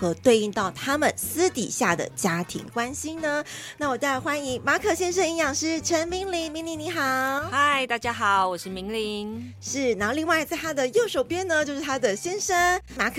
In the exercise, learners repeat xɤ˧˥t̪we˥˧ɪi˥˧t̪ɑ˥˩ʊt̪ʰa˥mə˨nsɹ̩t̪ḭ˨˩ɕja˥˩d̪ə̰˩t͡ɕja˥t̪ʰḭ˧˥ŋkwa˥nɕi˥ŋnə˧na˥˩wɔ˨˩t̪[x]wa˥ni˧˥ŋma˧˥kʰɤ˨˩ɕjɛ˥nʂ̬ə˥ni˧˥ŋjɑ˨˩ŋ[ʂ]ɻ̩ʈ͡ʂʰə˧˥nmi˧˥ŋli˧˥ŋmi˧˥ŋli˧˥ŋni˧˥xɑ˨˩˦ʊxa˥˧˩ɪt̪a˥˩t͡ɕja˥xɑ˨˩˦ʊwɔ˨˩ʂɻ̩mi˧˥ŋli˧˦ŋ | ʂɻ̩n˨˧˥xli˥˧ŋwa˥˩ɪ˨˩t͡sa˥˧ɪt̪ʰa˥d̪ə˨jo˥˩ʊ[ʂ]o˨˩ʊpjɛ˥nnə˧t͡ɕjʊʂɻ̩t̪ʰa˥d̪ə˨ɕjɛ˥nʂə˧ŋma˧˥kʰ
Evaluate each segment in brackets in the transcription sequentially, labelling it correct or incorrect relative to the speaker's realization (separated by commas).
correct, correct, correct